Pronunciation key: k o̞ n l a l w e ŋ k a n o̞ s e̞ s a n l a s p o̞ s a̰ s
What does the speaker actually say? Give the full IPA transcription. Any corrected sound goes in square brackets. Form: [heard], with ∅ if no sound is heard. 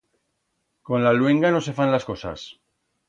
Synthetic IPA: k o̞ n l a l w e ŋ [ɡ] a n o̞ s e̞ [f] a n l a s [k] o̞ s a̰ s

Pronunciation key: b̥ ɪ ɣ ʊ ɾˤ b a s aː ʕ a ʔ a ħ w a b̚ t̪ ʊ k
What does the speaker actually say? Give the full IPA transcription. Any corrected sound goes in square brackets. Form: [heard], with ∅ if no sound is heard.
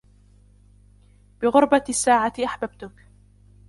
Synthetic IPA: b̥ ɪ ɣ ʊ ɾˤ b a [sː] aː ʕ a ʔ a ħ [b] a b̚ t̪ ʊ k

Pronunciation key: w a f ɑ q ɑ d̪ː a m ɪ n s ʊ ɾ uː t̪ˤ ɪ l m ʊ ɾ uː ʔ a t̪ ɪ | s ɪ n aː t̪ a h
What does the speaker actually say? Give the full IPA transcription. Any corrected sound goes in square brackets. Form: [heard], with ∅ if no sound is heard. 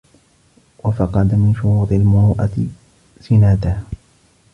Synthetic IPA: w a f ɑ q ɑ [d̪] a m ɪ n [ʃ] ʊ ɾ uː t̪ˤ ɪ l m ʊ ɾ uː ʔ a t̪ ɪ | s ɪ n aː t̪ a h

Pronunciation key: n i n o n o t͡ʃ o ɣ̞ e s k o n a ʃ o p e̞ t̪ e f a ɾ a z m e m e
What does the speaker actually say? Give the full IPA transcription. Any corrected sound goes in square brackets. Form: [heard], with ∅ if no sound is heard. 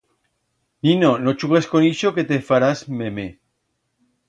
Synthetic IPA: n i n o n o t͡ʃ [u] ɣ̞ e s k o n [i] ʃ o [k] e̞ t̪ e f a ɾ a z m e m e

